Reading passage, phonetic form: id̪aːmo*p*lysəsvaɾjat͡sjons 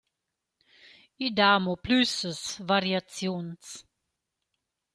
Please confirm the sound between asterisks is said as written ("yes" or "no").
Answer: yes